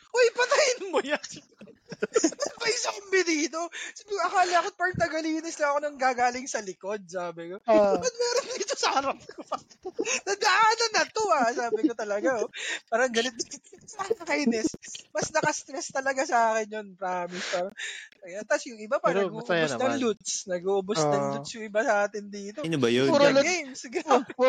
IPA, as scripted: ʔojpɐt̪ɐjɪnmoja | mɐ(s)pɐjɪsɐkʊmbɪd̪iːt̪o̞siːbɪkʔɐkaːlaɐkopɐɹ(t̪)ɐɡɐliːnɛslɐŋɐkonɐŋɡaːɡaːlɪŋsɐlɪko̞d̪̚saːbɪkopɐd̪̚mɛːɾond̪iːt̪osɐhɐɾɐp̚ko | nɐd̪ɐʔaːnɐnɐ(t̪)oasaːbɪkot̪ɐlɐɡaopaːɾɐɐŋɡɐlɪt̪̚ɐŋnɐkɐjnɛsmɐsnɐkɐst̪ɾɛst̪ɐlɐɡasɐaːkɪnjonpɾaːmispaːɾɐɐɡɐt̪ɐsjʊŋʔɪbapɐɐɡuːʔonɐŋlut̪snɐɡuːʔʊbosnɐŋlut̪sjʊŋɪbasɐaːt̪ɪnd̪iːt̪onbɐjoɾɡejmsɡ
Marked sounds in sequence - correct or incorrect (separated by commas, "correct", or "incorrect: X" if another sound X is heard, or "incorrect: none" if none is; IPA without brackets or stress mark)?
correct, correct, correct